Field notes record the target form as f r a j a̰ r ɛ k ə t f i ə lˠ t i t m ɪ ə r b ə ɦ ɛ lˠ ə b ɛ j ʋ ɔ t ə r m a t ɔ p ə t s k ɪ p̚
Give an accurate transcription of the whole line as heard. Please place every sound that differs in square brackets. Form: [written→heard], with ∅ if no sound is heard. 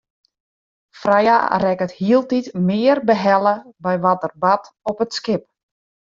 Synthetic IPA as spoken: f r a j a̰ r ɛ k ə t [f→h] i ə lˠ t i t m ɪ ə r b ə ɦ ɛ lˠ ə b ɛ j ʋ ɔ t ə r [m→b] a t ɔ p ə t s k ɪ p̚